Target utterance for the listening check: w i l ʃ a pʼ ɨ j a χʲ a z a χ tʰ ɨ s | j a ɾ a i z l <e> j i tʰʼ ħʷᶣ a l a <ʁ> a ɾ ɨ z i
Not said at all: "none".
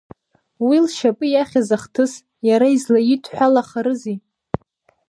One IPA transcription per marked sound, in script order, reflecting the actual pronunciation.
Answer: a, χ

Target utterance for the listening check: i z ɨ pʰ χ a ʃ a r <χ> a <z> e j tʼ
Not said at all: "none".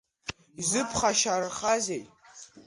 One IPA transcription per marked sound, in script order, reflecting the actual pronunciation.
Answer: χ, z

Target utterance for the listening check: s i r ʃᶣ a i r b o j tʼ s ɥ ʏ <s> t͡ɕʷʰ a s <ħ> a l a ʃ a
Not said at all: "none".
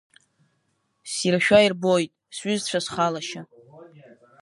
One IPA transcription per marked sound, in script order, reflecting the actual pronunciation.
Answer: z, χ

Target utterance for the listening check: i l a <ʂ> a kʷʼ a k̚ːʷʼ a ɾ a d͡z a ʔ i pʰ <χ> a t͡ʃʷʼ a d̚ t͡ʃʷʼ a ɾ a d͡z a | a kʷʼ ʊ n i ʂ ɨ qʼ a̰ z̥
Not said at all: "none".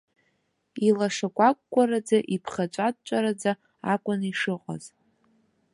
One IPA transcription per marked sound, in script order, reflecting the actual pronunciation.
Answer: ʂ, χ

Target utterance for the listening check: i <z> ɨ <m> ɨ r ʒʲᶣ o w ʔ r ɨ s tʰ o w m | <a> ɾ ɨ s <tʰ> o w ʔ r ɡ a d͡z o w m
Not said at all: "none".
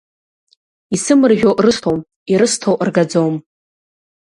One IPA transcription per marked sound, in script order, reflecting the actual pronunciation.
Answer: s, m, i, tʰ

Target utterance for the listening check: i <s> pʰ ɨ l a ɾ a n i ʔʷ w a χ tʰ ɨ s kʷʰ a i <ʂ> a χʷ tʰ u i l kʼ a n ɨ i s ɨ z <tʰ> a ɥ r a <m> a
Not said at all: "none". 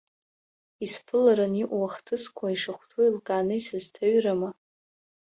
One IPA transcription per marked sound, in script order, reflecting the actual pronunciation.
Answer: s, ʂ, tʰ, m

